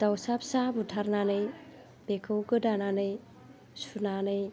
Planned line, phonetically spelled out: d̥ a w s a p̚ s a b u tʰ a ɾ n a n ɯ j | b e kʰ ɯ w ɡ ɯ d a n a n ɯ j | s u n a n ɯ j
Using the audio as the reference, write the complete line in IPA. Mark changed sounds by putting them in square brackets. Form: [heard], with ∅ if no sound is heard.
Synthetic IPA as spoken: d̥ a w s a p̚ s a b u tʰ a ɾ n a n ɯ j | b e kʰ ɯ w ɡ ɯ d a n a n ɯ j | s u n a n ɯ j